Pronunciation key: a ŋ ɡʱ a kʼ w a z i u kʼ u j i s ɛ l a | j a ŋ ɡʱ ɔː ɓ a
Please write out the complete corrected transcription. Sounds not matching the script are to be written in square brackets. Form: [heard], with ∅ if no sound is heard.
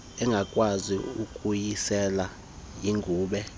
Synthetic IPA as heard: [ɛ] ŋ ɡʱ a kʼ w a z i u kʼ u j i s ɛ l a | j [i] ŋ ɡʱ [uː] ɓ [ɛ]